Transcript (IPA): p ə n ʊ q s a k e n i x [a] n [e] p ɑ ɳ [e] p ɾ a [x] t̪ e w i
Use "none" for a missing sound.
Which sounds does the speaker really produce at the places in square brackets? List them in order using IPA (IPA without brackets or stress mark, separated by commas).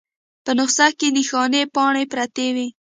ɑ, e, e, none